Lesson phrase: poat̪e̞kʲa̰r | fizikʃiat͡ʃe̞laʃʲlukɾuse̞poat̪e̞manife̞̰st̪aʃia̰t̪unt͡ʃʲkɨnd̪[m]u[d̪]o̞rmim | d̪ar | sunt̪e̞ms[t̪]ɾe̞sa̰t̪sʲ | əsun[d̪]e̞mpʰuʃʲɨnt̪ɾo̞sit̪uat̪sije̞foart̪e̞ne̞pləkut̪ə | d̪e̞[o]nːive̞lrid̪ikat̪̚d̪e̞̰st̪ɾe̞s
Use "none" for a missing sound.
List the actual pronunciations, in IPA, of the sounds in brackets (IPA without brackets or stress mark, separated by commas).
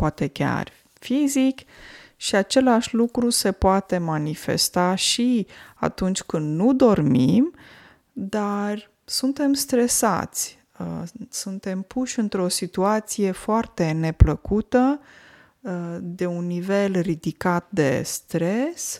n, d̪, t̪, t̪, u